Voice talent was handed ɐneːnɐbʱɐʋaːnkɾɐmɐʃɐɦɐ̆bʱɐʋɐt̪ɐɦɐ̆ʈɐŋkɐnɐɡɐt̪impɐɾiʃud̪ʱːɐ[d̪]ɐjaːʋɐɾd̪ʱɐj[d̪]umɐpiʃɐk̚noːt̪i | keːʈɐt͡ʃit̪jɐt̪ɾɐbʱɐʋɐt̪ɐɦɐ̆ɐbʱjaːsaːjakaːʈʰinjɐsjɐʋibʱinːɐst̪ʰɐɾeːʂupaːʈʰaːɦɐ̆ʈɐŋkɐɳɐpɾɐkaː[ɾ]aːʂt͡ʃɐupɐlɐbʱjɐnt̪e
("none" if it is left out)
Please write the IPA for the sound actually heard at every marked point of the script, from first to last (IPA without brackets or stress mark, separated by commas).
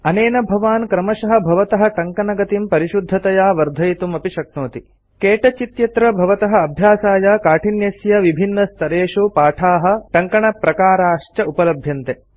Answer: t̪, t̪, ɾ